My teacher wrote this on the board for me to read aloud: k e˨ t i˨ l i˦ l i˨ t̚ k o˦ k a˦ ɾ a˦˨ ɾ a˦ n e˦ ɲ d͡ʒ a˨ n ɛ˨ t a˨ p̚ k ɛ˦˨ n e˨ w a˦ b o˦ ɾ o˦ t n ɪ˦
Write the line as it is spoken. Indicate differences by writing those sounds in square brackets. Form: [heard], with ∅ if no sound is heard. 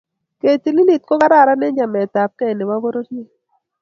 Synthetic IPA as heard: k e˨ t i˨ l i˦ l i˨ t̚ k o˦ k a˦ ɾ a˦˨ ɾ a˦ n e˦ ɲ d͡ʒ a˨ [m] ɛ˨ t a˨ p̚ k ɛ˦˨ n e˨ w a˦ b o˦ ɾ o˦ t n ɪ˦